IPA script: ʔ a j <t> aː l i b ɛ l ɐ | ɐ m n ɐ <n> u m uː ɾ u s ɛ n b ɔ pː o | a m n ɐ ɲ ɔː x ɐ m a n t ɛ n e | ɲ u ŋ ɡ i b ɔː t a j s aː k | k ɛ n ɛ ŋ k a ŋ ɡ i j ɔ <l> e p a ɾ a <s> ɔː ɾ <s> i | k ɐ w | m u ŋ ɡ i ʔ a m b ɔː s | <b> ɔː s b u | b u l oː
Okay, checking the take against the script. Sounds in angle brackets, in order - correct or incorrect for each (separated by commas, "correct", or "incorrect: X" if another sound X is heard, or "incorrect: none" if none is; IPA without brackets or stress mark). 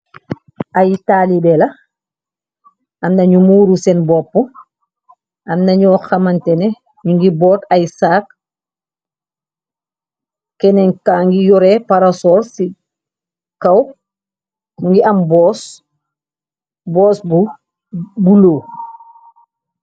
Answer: correct, incorrect: ɲ, incorrect: ɾ, correct, correct, correct